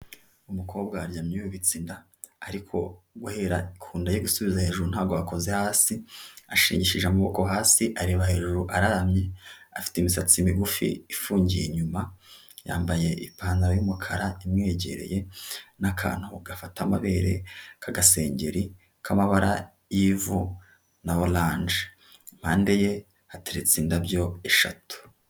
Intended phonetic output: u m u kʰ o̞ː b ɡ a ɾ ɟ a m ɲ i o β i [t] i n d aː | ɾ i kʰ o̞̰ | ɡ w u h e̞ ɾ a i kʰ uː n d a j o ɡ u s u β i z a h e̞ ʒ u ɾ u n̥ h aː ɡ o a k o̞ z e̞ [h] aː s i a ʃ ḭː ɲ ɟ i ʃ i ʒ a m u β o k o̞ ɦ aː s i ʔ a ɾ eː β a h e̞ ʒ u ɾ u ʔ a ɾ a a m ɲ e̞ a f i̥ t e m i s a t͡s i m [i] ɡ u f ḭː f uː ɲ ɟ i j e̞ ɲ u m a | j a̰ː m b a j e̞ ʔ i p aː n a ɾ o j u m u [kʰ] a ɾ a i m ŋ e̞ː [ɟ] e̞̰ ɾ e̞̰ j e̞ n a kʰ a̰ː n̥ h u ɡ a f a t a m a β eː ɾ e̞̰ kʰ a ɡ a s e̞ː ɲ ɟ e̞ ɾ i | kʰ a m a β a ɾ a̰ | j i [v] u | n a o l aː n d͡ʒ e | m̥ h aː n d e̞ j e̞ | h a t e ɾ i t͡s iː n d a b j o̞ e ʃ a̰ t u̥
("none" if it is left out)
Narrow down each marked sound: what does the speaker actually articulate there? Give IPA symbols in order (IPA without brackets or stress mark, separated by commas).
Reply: t͡s, h, i, kʰ, ɟ, v